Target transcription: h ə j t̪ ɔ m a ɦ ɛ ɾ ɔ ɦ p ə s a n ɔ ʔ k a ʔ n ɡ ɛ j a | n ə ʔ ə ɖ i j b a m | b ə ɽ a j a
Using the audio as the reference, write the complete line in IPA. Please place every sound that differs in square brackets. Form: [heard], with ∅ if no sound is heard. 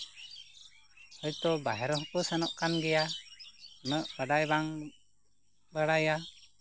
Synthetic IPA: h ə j t̪ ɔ [b] a ɦ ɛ ɾ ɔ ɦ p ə s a n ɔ ʔ k a [∅] n ɡ ɛ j a | n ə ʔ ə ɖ [a] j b a [ŋ] | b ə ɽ a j a

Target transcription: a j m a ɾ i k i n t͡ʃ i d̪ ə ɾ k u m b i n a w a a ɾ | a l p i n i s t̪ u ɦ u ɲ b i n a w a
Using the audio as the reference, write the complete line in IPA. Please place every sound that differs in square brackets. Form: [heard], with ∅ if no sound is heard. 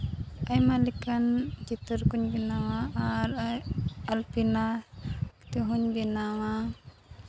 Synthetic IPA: a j m a [l] i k [a] n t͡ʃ i [t̪] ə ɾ k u [ɲ] b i n a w a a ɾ | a l p i n [a] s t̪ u ɦ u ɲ b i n a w a

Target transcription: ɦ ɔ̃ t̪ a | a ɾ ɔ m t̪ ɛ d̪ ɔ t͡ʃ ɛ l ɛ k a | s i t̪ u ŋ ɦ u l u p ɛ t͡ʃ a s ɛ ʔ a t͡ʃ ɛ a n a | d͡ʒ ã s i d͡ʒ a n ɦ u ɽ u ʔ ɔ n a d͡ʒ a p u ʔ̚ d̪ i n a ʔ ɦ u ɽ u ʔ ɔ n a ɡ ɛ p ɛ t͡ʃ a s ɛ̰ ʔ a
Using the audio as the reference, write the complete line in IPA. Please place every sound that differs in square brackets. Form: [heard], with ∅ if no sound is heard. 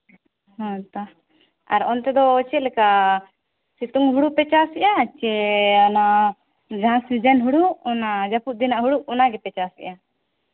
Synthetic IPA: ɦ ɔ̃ t̪ a | a ɾ ɔ [n] t̪ ɛ d̪ ɔ t͡ʃ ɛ l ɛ k a | s i t̪ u ŋ ɦ u [ɽ] u p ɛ t͡ʃ a s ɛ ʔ a t͡ʃ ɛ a n a | d͡ʒ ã s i d͡ʒ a n ɦ u ɽ u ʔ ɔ n a d͡ʒ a p u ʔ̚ d̪ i n a ʔ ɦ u ɽ u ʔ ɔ n a ɡ ɛ p ɛ t͡ʃ a s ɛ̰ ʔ a

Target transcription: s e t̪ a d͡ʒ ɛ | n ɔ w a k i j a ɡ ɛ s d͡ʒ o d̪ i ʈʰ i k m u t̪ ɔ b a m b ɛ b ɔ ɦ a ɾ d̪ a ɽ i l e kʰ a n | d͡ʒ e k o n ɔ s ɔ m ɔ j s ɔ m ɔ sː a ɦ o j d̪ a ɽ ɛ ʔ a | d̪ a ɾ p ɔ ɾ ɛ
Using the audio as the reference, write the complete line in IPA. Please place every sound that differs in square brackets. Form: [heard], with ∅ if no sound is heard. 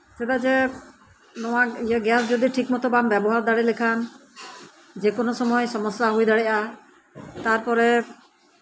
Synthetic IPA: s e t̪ a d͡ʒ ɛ | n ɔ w a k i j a ɡ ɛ s d͡ʒ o d̪ i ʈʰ i k m [ɔ] t̪ ɔ b a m b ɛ b ɔ ɦ a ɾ d̪ a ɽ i l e kʰ a n | d͡ʒ e k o n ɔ s ɔ m ɔ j s ɔ m ɔ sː a ɦ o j d̪ a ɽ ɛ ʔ a | [t̪] a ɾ p ɔ ɾ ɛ

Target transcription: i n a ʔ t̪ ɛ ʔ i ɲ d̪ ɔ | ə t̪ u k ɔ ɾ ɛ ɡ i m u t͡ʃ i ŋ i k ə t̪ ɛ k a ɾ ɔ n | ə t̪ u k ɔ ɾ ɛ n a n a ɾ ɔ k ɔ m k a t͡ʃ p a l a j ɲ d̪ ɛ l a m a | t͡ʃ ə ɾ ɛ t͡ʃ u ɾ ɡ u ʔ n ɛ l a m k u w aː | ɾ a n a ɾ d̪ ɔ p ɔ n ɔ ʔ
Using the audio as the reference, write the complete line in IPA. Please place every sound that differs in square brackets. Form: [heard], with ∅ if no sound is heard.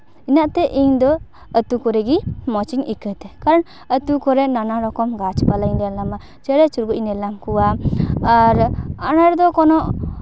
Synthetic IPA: i n a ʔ t̪ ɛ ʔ i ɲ d̪ ɔ | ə t̪ u k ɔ ɾ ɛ ɡ i m [ɔ] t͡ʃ i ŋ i k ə t̪ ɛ k a ɾ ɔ n | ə t̪ u k ɔ ɾ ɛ n a n a ɾ ɔ k ɔ m [ɡ] a t͡ʃ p a l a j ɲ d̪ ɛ l a m a | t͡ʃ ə ɾ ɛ t͡ʃ u ɾ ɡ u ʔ n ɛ l a m k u w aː | ɾ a n a ɾ d̪ ɔ [k] ɔ n ɔ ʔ

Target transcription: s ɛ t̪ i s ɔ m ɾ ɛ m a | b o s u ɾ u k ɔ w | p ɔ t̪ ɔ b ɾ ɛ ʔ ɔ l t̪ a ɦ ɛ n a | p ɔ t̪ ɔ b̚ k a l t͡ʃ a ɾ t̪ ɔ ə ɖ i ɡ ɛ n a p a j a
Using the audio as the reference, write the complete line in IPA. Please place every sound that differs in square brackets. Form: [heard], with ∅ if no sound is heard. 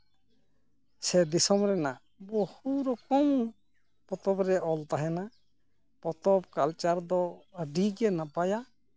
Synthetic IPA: s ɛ [d̪] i s ɔ m ɾ ɛ [n] a | b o [h] u ɾ [ɔ] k ɔ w | p ɔ t̪ ɔ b ɾ ɛ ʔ ɔ l t̪ a ɦ ɛ n a | p ɔ t̪ ɔ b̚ k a l t͡ʃ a ɾ [d̪] ɔ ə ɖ i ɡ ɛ n a p a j a

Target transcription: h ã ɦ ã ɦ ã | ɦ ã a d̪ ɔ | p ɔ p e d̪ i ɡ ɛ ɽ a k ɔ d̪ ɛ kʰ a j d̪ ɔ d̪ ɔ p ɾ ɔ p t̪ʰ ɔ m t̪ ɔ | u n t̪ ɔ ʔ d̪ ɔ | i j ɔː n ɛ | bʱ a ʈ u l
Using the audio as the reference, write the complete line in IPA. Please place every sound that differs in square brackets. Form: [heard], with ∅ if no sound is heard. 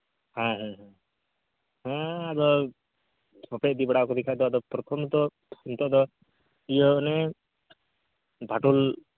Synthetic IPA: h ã ɦ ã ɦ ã | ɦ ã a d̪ ɔ | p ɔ p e d̪ i [b] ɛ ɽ a k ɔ d̪ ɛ kʰ a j d̪ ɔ d̪ ɔ p ɾ ɔ [∅] t̪ʰ ɔ m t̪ ɔ | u n t̪ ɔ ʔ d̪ ɔ | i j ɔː n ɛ | bʱ a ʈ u l

